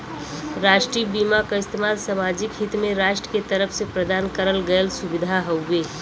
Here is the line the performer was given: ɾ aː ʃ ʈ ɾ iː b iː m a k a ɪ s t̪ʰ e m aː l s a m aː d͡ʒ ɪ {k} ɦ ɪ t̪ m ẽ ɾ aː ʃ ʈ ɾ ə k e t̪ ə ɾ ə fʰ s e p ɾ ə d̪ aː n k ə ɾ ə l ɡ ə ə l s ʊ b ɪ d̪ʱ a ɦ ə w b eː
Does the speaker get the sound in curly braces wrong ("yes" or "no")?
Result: no